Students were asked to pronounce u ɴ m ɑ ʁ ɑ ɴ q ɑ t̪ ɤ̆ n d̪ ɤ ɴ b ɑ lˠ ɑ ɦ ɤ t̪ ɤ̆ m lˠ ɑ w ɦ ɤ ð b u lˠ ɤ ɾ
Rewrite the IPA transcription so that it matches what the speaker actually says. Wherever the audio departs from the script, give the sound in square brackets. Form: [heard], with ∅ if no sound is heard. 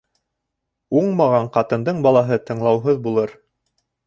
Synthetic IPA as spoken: u ɴ m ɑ ʁ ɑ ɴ q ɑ t̪ ɤ̆ n d̪ ɤ ɴ b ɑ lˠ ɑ ɦ ɤ t̪ ɤ̆ [ɴ] lˠ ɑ w ɦ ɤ ð b u lˠ ɤ ɾ